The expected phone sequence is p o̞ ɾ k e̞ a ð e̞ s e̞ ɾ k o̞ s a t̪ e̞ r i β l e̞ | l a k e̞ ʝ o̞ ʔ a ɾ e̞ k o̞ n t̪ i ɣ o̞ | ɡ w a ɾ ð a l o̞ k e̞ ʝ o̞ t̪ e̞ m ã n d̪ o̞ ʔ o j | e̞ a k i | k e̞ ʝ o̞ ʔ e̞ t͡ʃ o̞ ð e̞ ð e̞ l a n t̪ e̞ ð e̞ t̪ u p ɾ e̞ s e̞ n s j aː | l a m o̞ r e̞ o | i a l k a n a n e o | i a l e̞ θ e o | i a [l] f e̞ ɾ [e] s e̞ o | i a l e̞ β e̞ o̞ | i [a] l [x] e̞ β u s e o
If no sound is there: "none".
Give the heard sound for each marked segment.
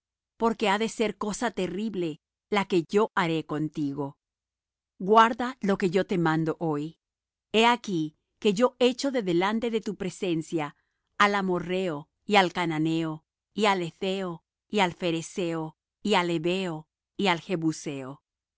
l, e, a, x

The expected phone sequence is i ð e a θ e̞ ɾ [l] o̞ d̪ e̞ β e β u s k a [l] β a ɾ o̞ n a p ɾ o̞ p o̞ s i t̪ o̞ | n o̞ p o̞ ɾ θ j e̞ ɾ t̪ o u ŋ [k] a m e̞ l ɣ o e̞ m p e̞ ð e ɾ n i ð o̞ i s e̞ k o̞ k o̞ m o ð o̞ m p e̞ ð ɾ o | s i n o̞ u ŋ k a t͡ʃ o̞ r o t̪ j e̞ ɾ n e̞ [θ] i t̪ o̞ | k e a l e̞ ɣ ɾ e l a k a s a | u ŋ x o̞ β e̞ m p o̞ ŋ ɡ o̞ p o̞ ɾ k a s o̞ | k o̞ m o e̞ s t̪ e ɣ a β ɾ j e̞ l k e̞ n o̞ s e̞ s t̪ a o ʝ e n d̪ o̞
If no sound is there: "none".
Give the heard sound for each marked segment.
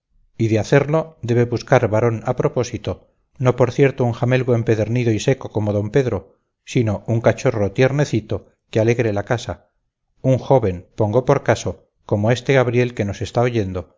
l, ɾ, x, θ

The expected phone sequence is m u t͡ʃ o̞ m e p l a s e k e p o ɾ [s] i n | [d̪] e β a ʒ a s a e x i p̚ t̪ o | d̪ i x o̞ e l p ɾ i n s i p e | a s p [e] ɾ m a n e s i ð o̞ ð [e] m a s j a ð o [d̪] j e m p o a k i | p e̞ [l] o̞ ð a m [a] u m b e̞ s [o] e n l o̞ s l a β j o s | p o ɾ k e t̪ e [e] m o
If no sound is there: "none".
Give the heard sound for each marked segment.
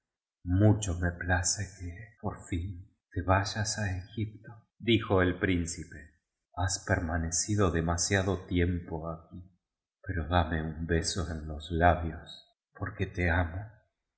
f, t̪, e, e, t̪, ɾ, e, o, a

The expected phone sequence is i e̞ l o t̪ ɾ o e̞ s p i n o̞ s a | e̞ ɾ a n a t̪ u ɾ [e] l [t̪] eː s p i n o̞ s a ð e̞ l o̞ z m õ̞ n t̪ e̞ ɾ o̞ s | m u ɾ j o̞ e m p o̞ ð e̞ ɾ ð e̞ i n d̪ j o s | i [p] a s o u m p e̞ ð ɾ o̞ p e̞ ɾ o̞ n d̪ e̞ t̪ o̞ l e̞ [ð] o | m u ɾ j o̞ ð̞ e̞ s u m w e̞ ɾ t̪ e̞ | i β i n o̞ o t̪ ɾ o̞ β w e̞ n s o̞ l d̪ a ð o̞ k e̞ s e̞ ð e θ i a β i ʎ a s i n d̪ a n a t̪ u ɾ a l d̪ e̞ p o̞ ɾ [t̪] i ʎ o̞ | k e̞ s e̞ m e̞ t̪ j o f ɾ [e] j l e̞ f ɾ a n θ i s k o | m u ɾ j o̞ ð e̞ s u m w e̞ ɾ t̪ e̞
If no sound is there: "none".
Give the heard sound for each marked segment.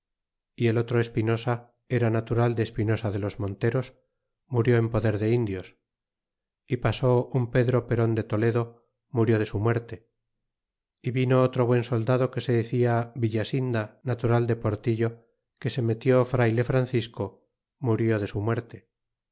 a, d̪, p, ð, t̪, a

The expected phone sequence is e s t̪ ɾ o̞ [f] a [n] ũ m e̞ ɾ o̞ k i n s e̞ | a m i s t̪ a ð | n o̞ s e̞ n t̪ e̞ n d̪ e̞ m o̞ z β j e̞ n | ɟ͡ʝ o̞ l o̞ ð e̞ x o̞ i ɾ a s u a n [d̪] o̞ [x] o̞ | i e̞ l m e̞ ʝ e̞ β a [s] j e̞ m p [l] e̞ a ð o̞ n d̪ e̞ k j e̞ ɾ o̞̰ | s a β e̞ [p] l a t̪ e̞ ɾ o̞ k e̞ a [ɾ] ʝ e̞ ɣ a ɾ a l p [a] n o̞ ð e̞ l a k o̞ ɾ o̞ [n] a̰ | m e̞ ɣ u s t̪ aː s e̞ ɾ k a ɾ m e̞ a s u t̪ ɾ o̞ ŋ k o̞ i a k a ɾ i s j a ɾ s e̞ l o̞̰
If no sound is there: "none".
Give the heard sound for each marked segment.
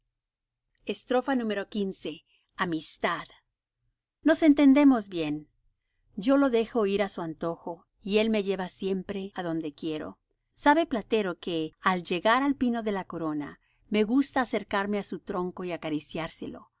f, n, t̪, x, s, ɾ, p, l, i, n

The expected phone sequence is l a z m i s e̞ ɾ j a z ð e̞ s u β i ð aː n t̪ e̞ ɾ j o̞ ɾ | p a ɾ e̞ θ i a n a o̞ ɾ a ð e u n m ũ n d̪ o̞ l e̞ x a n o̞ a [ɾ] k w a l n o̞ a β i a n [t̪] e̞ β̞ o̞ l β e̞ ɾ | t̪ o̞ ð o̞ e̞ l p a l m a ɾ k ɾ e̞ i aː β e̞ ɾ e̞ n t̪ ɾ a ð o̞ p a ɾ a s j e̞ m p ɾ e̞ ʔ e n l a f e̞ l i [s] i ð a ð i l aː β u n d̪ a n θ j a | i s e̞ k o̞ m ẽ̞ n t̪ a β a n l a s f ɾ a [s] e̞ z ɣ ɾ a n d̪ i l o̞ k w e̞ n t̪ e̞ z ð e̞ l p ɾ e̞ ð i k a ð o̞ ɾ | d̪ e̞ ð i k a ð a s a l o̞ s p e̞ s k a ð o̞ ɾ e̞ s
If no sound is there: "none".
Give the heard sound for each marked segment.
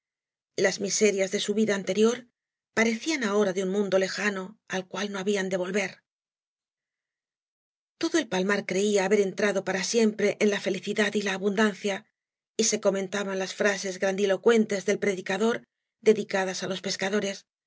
l, d̪, θ, s

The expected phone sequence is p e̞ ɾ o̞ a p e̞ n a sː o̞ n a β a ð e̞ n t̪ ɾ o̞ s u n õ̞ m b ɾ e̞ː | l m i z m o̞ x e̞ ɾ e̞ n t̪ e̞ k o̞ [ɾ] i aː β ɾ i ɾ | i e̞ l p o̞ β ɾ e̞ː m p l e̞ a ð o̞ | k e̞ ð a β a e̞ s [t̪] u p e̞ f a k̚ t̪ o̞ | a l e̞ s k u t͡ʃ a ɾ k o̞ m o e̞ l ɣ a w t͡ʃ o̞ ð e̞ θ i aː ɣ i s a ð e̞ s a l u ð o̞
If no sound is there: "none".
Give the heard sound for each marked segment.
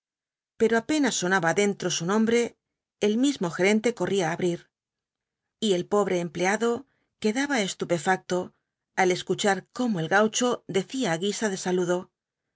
r, t̪

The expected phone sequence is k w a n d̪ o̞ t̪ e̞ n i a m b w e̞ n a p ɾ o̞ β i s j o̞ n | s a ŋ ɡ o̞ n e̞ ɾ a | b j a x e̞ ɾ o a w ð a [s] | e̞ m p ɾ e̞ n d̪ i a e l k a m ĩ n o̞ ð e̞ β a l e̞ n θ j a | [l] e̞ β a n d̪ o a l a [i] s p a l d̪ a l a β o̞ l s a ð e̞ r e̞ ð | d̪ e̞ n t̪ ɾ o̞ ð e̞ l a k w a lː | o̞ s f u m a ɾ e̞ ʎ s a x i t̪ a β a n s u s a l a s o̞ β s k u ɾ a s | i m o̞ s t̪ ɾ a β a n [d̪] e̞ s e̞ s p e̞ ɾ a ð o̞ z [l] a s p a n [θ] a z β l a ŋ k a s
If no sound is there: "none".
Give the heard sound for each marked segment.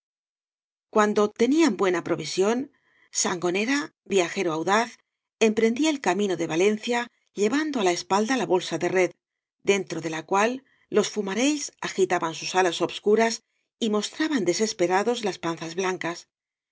θ, ʎ, e, d̪, l, θ

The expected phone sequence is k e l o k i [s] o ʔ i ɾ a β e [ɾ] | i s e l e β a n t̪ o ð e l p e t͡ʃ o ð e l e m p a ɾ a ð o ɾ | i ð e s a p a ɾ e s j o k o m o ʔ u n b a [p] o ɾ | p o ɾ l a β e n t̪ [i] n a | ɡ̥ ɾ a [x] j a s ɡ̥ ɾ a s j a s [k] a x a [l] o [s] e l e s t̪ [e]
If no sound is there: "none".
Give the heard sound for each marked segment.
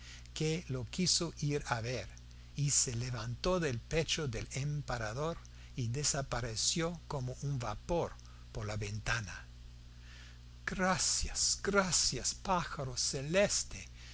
s, ɾ, p, a, s, p, ɾ, s, e

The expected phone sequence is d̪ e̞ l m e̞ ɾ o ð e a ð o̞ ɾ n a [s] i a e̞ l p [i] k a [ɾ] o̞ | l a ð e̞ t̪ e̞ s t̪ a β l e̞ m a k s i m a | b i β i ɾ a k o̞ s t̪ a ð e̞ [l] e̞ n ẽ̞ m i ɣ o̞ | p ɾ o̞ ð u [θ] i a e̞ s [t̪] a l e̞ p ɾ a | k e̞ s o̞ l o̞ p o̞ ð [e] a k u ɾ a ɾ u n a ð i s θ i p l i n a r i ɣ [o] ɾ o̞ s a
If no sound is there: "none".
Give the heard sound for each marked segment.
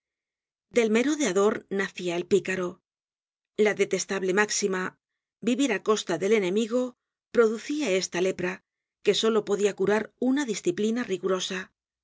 θ, i, ɾ, l, θ, t̪, i, u

